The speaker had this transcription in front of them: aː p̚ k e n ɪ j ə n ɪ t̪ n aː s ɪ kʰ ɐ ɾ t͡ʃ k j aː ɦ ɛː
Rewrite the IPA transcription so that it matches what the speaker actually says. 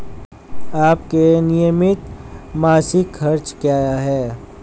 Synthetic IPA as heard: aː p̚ k e n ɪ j ə m ɪ t̪ m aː s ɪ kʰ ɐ ɾ t͡ʃ k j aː ɦ ɛː